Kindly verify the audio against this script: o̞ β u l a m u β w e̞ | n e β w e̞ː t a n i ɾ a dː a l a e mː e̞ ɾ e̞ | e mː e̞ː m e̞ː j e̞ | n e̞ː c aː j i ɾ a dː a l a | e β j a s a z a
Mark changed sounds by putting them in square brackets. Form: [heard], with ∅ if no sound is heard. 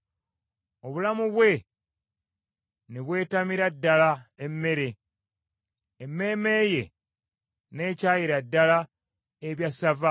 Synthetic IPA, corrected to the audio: o̞ β u l a m u β w e̞ | n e β w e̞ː t a [m] i ɾ a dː a l a e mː e̞ ɾ e̞ | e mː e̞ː m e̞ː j e̞ | n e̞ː c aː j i ɾ a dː a l a | e β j a s a [v] a

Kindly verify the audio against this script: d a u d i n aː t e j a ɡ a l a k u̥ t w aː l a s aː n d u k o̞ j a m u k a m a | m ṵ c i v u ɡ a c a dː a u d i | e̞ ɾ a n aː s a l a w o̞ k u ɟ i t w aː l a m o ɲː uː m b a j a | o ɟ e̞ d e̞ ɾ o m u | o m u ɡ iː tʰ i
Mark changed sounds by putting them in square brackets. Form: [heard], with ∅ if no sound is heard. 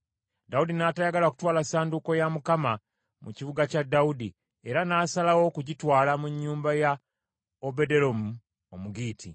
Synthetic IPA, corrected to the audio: d a u d i n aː t [a] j a ɡ a l a k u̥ t w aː l a s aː n d u k o̞ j a m u k a m a | m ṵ c i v u ɡ a c a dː a u d i | e̞ ɾ a n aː s a l a w o̞ k u ɟ i t w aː l a m [u] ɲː uː m b a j a | o [b] e̞ d e̞ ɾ o m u | o m u ɡ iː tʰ i

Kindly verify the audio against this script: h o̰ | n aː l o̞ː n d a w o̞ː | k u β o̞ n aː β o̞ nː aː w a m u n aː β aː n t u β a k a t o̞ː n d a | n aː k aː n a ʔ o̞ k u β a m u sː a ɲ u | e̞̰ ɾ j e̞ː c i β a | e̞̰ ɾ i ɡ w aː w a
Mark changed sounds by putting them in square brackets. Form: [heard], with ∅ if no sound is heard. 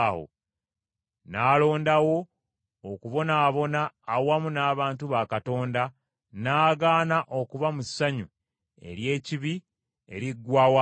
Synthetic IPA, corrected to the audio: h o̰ | n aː l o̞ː n d a w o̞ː | k u β o̞ n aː β o̞ [n] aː w a m u n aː β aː n t u β a k a t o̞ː n d a | n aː [ɡ] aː n a ʔ o̞ k u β a m u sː a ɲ u | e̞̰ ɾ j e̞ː c i β [i] | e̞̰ ɾ i ɡ w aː w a

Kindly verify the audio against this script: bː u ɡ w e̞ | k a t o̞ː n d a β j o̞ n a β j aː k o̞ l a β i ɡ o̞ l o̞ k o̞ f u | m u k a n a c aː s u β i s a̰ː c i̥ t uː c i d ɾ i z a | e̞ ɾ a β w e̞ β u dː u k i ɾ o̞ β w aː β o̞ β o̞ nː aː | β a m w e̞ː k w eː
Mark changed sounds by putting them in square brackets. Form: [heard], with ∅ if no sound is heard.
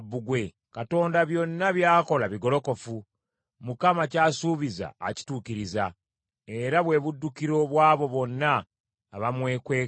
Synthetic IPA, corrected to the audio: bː u ɡ w e̞ | k a t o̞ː n d a β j o̞ [nː] a β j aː k o̞ l a β i ɡ o̞ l o̞ k o̞ f u | m u k a [m] a c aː s u β i [z] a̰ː c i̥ t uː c i [∅] ɾ i z a | e̞ ɾ a β w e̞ β u dː u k i ɾ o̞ β w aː β o̞ β o̞ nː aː | β a m w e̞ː k w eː

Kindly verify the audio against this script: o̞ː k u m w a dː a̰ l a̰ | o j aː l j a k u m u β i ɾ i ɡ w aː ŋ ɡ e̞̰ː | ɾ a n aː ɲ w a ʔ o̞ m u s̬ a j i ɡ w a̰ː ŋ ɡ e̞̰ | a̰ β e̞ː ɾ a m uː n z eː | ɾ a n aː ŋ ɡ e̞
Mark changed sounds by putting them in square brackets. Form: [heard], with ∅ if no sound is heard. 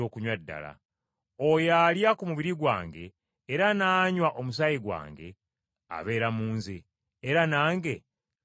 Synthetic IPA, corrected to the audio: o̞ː k u [ɲ] w a dː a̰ l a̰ | o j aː l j a k u m u β i ɾ i ɡ w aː ŋ ɡ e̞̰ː | ɾ a n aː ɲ w a ʔ o̞ m u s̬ a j i ɡ w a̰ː ŋ ɡ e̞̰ | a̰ β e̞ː ɾ a m uː n z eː | ɾ a n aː ŋ ɡ e̞

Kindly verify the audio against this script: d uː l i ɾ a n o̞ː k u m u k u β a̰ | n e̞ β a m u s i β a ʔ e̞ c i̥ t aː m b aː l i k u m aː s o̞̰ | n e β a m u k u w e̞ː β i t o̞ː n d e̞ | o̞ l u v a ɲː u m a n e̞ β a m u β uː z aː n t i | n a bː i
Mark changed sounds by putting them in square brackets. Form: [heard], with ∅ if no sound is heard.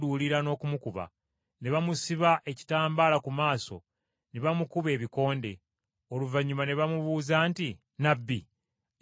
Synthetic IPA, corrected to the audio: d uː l i ɾ a n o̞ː k u m u k u β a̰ | n e̞ β a m u s i β a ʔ e̞ c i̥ t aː m b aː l [a] k u m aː s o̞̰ | n e β a m u k u [β] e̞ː β i [k] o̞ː n d e̞ | o̞ l u v a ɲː u m a n e̞ β a m u β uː z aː n t i | n a bː i

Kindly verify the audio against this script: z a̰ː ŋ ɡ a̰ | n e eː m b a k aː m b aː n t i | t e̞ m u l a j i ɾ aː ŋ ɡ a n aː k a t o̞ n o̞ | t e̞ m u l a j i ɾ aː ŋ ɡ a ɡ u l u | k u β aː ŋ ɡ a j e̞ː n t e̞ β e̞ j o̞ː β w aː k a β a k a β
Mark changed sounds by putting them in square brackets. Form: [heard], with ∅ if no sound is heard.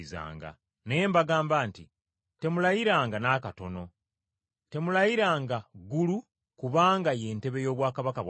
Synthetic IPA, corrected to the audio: z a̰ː ŋ ɡ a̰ | n e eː m b a [ɡ] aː m b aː n t i | t e̞ m u l a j i ɾ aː ŋ ɡ a n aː k a t o̞ n o̞ | t e̞ m u l a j i ɾ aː ŋ ɡ a ɡ u l u | k u β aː ŋ ɡ a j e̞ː n t e̞ β e̞ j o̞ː β w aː k a β a k a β

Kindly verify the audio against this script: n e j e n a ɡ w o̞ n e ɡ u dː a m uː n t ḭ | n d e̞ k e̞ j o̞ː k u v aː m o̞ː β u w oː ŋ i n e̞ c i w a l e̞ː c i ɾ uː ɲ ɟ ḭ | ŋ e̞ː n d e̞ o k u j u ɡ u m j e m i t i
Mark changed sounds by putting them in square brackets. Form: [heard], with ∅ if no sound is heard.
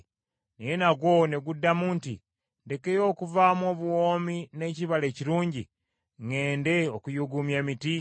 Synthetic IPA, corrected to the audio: n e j e n a ɡ w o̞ n e ɡ u dː a m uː n t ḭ | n d e̞ k e̞ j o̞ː k u v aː m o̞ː β u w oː [m] i n e̞ c i [β] a l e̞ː c i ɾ uː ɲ ɟ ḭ | ŋ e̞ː n d e̞ o k u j u ɡ u m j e m i t i

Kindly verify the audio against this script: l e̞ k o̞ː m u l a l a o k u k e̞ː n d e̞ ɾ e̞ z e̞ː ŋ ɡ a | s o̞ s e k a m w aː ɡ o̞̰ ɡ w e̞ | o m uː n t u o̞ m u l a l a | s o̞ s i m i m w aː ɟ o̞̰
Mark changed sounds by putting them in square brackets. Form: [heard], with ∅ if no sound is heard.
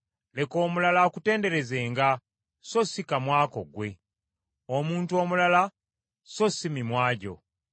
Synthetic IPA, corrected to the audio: l e̞ k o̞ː m u l a l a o k u [t] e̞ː n d e̞ ɾ e̞ z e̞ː ŋ ɡ a | s o̞ s [i] k a m w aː [k] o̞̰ ɡ w e̞ | o m uː n t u o̞ m u l a l a | s o̞ s i m i m w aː ɟ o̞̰

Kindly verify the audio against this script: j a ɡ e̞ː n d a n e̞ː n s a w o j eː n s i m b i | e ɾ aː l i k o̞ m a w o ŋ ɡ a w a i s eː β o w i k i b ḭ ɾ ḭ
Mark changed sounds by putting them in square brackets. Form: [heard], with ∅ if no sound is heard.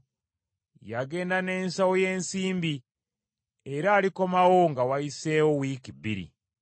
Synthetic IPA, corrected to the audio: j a ɡ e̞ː n d a n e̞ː n s a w o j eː n s [iː] m b i | e ɾ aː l i k o̞ m a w o ŋ ɡ a w a i s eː [w] o w i k i b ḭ ɾ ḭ

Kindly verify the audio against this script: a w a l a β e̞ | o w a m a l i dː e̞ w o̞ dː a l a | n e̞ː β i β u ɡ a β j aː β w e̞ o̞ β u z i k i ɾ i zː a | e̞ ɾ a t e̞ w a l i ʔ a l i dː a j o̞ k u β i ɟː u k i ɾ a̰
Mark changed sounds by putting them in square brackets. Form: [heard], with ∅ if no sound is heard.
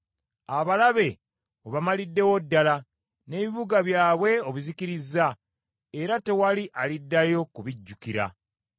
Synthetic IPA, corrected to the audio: a [β] a l a β e̞ | o [β] a m a l i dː e̞ w o̞ dː a l a | n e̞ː β i β u ɡ a β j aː β w e̞ o̞ β u z i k i ɾ i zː a | e̞ ɾ a t e̞ w a l i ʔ a l i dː a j o̞ k u β i ɟː u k i ɾ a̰

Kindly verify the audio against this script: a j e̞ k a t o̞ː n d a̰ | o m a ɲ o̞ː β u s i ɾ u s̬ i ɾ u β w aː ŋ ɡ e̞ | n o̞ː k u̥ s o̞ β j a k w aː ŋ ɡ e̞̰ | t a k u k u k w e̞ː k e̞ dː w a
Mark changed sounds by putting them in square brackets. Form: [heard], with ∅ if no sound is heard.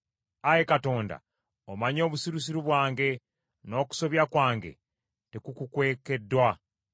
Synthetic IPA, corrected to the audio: a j e̞ k a t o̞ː n d a̰ | o m a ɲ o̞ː β u s i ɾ u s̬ i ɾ u β w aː ŋ ɡ e̞ | n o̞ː k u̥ s o̞ β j a k w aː ŋ ɡ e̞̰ | t [e] k u k u k w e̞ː k e̞ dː w a

